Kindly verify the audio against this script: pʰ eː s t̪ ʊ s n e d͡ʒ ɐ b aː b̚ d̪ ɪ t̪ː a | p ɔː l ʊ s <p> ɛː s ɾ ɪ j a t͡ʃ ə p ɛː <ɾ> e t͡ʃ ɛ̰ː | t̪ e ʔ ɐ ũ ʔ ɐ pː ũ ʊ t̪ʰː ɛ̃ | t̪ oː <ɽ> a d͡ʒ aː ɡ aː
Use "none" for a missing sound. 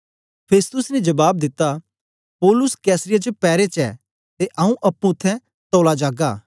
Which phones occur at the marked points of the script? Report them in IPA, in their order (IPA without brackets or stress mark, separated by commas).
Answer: k, ɾ, l